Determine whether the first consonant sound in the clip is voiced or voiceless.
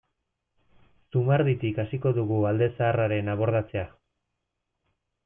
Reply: voiceless